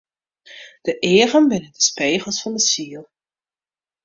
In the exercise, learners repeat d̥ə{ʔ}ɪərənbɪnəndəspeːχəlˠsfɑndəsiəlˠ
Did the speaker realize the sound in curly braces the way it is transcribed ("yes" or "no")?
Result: yes